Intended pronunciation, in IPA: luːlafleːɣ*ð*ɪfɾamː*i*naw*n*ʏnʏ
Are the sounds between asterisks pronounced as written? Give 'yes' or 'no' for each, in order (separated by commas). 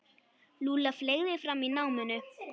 yes, yes, no